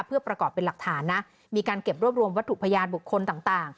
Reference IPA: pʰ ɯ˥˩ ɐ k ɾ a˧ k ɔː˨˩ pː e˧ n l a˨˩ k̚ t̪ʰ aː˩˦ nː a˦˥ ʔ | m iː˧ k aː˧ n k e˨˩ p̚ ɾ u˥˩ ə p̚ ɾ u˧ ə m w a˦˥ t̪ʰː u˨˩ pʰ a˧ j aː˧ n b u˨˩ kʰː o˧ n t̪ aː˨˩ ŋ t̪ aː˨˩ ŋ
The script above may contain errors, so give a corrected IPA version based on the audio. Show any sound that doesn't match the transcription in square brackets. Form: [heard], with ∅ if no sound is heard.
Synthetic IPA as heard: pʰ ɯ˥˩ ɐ [p] ɾ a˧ k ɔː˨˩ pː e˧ n l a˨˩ k̚ t̪ʰ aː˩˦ nː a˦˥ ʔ | m iː˧ k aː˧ n k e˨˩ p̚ ɾ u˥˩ ə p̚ ɾ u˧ ə m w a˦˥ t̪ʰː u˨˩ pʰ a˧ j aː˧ n b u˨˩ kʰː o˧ n t̪ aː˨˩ ŋ t̪ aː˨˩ ŋ